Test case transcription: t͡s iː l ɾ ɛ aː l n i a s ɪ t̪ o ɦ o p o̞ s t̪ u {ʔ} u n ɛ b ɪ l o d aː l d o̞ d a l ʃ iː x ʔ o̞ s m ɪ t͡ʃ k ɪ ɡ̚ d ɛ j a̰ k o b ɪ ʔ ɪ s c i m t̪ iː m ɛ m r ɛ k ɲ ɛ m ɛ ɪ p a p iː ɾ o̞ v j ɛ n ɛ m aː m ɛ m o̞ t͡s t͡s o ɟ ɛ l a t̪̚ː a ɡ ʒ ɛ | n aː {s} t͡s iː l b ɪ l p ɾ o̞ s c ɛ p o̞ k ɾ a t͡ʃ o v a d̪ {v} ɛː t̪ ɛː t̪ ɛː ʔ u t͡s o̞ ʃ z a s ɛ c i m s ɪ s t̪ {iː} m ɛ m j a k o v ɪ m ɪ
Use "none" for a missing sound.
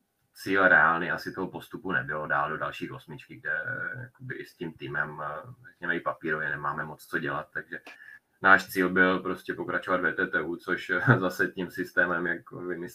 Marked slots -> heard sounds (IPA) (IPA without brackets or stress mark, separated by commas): p, ʃ, v, ɛː